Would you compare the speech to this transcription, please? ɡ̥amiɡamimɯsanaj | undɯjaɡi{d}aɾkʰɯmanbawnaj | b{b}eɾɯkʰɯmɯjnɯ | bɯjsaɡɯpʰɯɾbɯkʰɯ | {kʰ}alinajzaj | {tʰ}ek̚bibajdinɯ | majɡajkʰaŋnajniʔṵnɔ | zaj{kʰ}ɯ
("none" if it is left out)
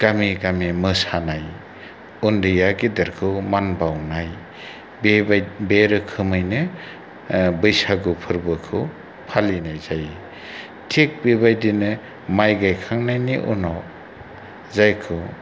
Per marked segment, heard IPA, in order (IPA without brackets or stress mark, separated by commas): d, b, pʰ, tʰ, kʰ